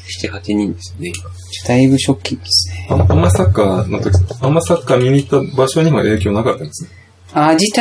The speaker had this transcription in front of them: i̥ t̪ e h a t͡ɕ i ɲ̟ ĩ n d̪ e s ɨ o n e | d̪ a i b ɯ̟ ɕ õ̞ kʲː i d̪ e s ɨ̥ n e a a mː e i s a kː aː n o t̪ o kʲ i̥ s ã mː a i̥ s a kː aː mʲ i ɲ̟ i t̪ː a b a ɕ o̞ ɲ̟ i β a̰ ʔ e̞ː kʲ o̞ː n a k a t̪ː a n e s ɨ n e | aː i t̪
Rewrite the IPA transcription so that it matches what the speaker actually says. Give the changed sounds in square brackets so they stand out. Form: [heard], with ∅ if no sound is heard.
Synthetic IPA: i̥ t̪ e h a t͡ɕ i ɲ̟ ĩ n d̪ e s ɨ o n e | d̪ a i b ɯ̟ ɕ [o̞] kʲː i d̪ e s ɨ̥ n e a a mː [a] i s a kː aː n o t̪ o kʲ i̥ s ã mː a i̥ s a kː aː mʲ i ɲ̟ i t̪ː a b a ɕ o̞ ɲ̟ i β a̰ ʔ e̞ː kʲ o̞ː n a k a t̪ː a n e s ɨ n e | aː i t̪